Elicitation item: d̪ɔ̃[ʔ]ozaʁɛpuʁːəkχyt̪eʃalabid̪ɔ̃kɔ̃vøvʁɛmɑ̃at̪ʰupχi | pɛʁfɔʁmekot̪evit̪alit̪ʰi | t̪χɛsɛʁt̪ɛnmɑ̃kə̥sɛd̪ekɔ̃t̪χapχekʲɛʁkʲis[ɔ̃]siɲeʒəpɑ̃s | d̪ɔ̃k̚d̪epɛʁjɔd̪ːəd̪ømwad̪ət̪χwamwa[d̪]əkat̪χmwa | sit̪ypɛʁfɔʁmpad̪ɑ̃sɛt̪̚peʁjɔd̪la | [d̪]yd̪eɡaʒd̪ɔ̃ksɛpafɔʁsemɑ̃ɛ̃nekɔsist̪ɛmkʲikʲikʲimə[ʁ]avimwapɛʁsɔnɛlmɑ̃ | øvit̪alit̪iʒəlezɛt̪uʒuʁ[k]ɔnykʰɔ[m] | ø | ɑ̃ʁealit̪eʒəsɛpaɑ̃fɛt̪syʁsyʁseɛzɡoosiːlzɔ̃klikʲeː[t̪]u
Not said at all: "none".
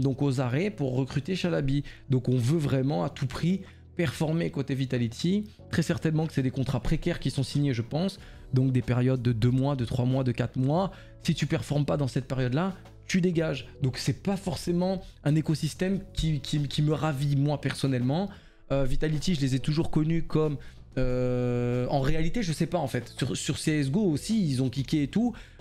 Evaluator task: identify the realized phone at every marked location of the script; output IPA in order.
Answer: k, ɔ̃, d̪, t̪, ʁ, k, m, t̪

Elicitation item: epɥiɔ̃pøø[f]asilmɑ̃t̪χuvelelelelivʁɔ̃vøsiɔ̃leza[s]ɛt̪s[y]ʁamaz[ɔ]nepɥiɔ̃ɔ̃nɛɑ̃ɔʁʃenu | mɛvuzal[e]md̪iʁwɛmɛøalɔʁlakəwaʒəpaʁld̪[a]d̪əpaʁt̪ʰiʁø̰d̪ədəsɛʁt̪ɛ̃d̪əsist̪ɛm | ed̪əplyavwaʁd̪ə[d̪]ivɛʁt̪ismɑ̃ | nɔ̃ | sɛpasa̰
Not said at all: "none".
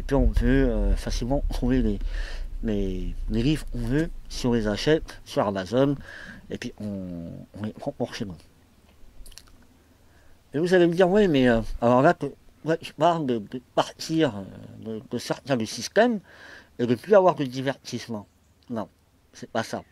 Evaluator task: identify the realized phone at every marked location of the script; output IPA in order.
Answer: f, ʃ, y, ɔ, e, ə, d̪

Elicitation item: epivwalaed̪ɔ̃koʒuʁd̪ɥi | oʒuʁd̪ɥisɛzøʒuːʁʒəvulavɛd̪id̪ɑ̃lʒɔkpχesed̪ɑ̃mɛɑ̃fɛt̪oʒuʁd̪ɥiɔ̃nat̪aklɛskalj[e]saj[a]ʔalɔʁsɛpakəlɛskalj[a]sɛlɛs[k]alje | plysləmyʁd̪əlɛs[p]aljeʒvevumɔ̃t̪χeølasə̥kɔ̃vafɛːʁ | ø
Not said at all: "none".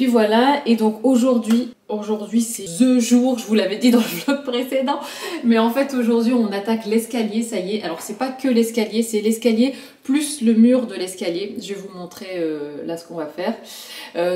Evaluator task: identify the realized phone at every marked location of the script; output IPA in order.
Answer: e, e, e, k, k

